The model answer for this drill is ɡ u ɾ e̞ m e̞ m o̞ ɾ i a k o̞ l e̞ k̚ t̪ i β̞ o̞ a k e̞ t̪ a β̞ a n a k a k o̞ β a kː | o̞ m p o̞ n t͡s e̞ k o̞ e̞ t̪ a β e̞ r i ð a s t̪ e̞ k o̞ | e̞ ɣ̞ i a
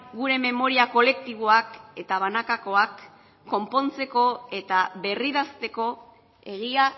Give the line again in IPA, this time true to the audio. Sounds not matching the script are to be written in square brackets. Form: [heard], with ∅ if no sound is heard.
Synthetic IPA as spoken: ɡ u ɾ e̞ m e̞ m o̞ ɾ i a k o̞ l e̞ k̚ t̪ i β̞ o̞ a k e̞ t̪ a β̞ a n a k a k o̞ [∅] a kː | o̞ m p o̞ n t͡s e̞ k o̞ e̞ t̪ a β e̞ r i ð a s t̪ e̞ k o̞ | e̞ ɣ̞ i a